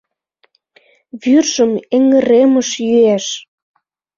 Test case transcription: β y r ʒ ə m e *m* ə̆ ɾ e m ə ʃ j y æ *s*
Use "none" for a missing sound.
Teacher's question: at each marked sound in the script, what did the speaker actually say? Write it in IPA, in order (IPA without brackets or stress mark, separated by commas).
ŋ, ʃ